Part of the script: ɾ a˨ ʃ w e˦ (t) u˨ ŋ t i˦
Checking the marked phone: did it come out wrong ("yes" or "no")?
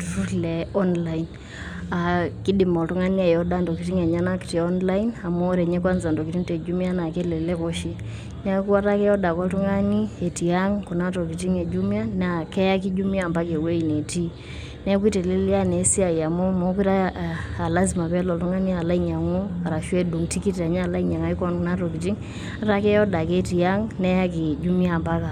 yes